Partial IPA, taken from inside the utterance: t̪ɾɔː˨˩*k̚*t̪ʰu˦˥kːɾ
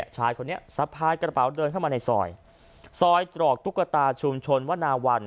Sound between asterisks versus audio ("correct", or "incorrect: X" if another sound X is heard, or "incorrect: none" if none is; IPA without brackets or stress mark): correct